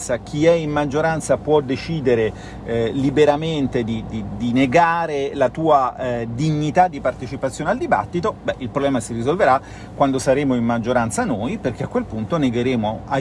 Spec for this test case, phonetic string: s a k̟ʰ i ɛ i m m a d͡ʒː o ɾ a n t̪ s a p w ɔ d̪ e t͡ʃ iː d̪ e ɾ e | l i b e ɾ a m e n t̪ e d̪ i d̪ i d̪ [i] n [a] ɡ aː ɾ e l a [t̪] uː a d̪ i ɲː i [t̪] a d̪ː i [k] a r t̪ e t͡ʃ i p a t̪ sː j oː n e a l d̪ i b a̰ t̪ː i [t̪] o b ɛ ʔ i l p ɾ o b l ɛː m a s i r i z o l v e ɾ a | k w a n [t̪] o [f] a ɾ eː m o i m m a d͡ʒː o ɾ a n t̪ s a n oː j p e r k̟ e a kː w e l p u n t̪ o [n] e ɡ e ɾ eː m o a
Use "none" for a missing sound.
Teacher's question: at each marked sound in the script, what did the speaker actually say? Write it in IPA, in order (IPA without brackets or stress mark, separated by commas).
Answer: i, e, t̪, t̪, p, t̪, d̪, s, n